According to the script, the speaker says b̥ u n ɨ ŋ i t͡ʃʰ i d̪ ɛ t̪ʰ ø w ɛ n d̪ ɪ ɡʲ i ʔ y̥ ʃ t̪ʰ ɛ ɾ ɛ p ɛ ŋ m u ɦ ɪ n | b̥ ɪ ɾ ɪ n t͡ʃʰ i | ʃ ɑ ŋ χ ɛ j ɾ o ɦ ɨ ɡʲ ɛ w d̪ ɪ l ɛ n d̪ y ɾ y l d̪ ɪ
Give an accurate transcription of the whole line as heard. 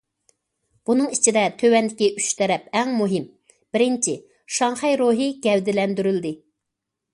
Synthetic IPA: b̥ u n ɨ ŋ i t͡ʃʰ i d̪ ɛ t̪ʰ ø w ɛ n d̪ ɪ kʲ i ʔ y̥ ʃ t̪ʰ ɛ ɾ ɛ p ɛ ŋ m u ɦ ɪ m | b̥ ɪ ɾ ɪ n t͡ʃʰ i | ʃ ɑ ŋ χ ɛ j ɾ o ɦ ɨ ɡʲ ɛ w d̪ ɪ l ɛ n d̪ y ɾ y l d̪ ɪ